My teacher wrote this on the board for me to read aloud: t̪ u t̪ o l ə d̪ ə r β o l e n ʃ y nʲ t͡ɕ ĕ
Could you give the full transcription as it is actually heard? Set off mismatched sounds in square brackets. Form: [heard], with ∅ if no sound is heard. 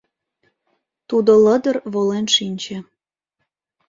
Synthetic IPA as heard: t̪ u [d̪] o l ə d̪ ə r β o l e n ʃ [i] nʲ t͡ɕ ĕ